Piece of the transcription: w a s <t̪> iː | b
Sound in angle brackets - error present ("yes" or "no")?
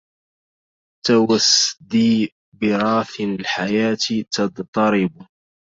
yes